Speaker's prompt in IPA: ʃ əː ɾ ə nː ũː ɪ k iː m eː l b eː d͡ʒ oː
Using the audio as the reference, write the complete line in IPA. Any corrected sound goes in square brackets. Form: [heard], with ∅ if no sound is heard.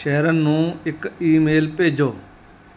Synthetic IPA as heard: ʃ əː ɾ ə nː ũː ɪ k iː m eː l [p] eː d͡ʒ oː